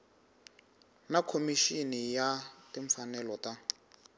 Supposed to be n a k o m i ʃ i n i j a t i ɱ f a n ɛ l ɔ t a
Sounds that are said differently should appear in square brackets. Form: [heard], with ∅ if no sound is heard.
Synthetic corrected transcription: n a [kʰ] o m i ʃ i n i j a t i ɱ f a n ɛ l ɔ t a